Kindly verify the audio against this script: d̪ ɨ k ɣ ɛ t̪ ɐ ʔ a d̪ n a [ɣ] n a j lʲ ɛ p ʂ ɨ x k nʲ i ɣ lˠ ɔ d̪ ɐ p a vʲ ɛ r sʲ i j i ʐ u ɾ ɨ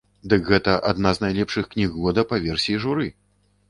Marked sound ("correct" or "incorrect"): incorrect